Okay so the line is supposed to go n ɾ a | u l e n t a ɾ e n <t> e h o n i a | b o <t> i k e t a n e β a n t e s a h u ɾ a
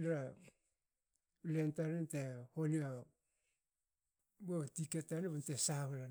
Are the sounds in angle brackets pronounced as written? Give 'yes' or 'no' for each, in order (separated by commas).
yes, yes